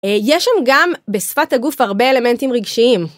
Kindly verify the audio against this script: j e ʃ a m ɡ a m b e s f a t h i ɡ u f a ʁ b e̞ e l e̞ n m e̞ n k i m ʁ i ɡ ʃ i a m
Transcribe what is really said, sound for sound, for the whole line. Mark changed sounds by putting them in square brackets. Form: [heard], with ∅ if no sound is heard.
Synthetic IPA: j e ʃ a m ɡ a m b e s f a t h [a] ɡ u f a ʁ b e̞ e l e̞ [∅] m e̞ n [t] i m ʁ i ɡ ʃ i [i] m